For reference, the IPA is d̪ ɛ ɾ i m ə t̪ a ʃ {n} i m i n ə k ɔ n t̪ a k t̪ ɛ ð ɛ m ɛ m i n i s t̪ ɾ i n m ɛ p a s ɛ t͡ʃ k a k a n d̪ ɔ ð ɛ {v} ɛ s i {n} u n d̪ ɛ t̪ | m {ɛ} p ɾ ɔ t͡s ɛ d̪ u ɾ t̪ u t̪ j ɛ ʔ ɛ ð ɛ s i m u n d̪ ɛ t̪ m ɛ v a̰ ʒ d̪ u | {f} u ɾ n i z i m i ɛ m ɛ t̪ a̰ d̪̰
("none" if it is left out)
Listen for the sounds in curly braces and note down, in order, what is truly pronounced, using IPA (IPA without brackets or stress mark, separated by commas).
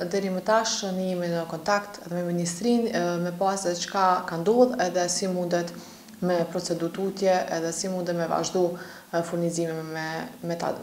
n, ð, m, ɛ, f